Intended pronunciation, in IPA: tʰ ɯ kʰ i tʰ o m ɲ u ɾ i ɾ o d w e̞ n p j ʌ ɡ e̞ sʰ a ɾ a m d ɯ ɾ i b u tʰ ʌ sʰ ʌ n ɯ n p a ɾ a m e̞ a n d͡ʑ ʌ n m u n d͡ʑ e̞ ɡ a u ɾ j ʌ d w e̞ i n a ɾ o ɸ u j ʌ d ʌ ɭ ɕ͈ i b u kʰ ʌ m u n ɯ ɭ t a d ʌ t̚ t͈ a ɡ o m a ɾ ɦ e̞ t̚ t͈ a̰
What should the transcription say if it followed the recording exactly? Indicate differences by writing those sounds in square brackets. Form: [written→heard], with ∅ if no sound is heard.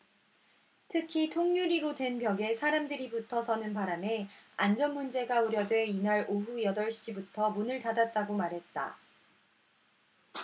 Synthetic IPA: tʰ ɯ kʰ i tʰ o [m→ŋ] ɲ u ɾ i ɾ o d w e̞ n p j ʌ ɡ e̞ sʰ a ɾ a m d ɯ ɾ i b u tʰ ʌ sʰ ʌ n ɯ n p a ɾ a m e̞ a n d͡ʑ ʌ n m u n d͡ʑ e̞ ɡ a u ɾ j ʌ d w e̞ i n a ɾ o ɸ u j ʌ d ʌ ɭ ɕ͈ i b u [kʰ→tʰ] ʌ m u n ɯ ɭ t a d [ʌ→a] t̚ t͈ a ɡ o m a ɾ ɦ e̞ t̚ t͈ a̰